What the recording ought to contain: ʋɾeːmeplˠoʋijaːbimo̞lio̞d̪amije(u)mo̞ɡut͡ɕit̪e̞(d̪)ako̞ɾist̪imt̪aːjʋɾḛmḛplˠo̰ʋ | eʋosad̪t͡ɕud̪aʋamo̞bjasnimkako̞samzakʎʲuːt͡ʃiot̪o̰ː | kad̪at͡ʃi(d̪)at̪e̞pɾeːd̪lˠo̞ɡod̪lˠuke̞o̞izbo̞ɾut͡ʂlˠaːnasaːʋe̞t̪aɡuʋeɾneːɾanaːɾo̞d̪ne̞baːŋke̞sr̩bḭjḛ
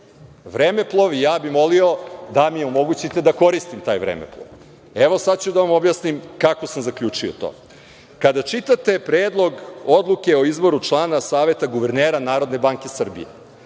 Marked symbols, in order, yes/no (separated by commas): no, yes, no